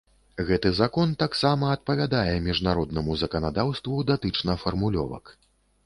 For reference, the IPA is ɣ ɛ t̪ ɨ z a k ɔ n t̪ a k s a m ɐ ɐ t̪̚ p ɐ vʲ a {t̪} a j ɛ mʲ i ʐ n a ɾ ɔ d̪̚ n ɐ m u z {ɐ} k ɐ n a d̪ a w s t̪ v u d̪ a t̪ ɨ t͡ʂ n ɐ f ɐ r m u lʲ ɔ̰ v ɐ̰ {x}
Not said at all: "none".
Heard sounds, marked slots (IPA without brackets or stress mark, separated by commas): d̪, ɐ, k